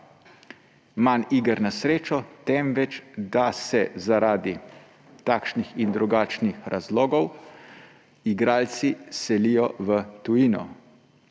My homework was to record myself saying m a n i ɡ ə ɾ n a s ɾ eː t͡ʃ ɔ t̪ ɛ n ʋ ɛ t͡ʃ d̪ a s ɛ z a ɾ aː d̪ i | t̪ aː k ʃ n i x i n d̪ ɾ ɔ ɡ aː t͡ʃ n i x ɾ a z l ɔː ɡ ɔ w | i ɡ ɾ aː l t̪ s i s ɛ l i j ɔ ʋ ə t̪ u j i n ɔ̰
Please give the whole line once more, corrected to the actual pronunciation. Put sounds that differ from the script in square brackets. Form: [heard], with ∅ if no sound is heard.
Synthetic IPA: m a n i ɡ ə ɾ n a s ɾ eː t͡ʃ ɔ t̪ ɛ [m] ʋ ɛ t͡ʃ d̪ a s ɛ z a ɾ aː d̪ i | t̪ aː k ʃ n i x i n d̪ ɾ [u] ɡ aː t͡ʃ n i x ɾ a z l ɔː ɡ ɔ w | i ɡ ɾ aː l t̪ s i s ɛ l i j ɔ ʋ ə t̪ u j i n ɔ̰

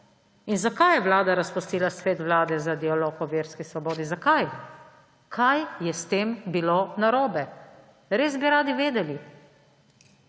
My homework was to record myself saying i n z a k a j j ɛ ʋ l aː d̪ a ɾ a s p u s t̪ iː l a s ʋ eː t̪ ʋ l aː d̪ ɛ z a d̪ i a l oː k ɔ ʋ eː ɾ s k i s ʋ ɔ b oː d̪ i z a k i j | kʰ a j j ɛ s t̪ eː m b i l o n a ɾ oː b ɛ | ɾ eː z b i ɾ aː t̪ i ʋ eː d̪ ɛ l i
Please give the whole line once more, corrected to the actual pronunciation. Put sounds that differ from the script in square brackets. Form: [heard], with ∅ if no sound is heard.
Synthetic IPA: i n z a k a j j ɛ ʋ l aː d̪ a ɾ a s p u s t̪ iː l a s ʋ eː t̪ ʋ l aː d̪ ɛ z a d̪ i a l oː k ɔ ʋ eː ɾ s k i s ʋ ɔ b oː d̪ i z a k [a] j | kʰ a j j ɛ s t̪ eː m b i l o n a ɾ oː b ɛ | ɾ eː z b i ɾ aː [d̪] i ʋ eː d̪ ɛ l i

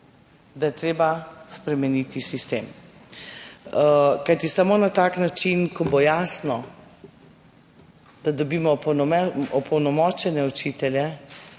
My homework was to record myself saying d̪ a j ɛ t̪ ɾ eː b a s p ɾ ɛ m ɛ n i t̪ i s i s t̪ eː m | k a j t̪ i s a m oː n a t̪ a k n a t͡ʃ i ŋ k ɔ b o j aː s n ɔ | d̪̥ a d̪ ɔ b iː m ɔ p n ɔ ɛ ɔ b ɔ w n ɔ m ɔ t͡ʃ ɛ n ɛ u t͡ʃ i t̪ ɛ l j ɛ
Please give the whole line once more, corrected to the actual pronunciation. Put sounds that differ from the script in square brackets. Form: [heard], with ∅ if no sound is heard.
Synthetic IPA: d̪ a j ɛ t̪ ɾ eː b a s p ɾ ɛ m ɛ n i t̪ i s i s t̪ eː m | k a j t̪ i s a m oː n a t̪ a k n a t͡ʃ i [n] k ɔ b o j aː s n ɔ | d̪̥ a d̪ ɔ b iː m ɔ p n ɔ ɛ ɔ [p] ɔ w n ɔ m ɔ t͡ʃ ɛ n ɛ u t͡ʃ i t̪ ɛ l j ɛ

